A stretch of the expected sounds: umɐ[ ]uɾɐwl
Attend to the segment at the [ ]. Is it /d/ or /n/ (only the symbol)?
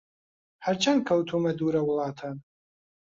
d